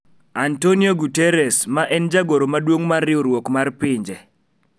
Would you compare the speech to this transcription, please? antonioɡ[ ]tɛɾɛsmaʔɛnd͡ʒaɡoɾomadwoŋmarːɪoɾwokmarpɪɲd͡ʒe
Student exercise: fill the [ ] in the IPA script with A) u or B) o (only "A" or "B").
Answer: A